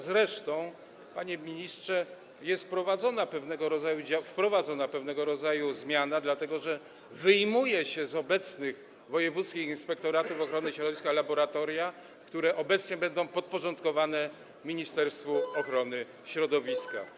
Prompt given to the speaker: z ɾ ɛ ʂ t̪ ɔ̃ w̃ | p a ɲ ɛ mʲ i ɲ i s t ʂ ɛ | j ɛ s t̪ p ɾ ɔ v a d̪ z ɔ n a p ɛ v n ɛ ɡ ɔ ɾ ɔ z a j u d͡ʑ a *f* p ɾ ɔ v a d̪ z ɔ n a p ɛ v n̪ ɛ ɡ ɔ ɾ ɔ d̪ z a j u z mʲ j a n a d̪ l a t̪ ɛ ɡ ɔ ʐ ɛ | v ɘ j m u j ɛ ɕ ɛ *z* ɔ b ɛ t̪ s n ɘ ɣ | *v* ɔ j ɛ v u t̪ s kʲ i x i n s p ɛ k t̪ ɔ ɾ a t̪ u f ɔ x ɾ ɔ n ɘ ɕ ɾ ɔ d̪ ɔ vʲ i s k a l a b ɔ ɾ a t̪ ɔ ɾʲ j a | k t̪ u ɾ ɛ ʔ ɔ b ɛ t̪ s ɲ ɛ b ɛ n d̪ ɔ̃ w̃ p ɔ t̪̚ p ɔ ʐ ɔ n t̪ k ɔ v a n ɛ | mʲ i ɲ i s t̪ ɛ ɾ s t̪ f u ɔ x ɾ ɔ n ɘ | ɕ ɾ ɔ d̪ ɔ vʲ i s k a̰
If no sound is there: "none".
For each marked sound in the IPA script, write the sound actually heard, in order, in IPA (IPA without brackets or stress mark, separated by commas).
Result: f, z, v